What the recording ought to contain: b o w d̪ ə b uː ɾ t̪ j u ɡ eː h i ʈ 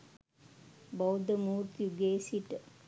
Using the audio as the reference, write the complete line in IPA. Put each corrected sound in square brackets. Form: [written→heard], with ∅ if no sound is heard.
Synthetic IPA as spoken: b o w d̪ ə [b→m] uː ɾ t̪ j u ɡ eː [h→s] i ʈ